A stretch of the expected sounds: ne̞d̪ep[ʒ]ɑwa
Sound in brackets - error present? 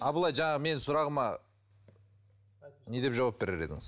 no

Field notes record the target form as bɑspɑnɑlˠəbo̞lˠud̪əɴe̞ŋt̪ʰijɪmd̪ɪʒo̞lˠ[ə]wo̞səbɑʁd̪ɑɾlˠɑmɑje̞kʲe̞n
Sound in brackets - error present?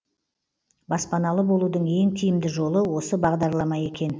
no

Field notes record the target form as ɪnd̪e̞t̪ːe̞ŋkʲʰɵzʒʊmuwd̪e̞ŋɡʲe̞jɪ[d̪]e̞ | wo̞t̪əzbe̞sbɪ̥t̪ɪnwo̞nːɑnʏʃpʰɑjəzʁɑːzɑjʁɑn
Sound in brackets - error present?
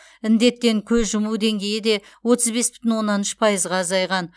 no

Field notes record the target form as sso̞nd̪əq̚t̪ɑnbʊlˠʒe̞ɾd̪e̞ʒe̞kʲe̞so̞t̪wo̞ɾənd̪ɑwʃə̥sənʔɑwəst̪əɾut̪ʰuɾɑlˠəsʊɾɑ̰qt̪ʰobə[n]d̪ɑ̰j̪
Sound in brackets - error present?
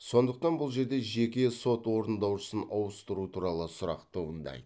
no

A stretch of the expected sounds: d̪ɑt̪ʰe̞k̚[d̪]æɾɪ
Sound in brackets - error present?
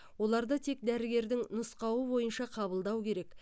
no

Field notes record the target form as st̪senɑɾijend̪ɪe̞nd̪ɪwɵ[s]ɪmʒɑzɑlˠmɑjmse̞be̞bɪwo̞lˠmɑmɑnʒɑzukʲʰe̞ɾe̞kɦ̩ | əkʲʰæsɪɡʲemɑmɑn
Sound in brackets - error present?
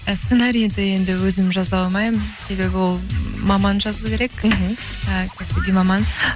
yes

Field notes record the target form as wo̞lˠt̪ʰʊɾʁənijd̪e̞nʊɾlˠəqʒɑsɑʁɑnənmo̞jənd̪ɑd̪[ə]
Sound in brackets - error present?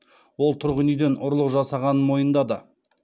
no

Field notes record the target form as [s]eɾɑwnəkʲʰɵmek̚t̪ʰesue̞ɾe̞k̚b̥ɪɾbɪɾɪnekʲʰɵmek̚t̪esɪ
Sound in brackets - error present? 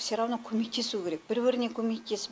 no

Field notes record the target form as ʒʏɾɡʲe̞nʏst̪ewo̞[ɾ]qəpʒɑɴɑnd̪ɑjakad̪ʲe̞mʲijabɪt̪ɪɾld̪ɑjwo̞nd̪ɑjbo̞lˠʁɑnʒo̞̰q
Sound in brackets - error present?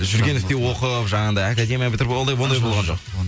yes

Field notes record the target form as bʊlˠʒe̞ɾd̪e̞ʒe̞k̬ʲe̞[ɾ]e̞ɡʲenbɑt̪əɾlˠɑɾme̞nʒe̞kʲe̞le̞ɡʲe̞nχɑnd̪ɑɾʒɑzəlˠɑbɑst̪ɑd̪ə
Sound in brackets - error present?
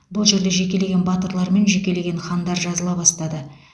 yes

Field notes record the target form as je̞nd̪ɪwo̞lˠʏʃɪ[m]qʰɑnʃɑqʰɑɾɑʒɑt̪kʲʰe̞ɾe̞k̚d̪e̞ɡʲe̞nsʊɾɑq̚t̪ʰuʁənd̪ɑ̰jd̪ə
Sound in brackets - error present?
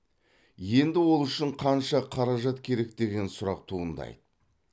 yes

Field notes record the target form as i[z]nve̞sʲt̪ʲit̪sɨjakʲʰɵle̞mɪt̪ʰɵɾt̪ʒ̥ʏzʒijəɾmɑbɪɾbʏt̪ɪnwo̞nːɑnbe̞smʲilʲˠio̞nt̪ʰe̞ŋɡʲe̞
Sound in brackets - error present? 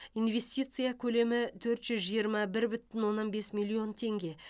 yes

